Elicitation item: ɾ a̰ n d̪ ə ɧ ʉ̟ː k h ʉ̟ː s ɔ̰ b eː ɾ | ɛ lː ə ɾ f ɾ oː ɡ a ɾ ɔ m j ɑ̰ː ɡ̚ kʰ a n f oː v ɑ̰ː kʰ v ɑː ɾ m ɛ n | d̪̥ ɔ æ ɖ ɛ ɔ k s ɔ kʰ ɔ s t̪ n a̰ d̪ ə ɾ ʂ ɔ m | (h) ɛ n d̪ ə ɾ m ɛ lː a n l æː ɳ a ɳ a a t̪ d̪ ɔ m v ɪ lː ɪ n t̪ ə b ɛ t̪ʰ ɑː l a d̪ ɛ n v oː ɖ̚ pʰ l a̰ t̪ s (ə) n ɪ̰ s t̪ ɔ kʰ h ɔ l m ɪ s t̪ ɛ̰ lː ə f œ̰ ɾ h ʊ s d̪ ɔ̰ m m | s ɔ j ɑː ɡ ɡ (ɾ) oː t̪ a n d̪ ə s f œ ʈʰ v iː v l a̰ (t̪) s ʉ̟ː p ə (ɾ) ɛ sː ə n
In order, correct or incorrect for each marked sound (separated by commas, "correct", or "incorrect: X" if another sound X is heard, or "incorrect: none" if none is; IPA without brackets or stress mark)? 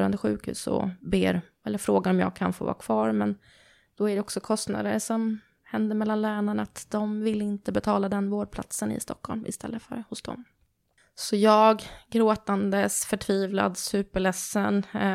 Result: correct, correct, correct, incorrect: d̪, incorrect: ɭ